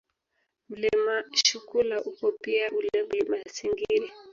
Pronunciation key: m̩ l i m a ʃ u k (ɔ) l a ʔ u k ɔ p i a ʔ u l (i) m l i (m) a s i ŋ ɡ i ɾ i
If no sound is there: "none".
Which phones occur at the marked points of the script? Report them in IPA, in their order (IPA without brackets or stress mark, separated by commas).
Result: u, ɛ, m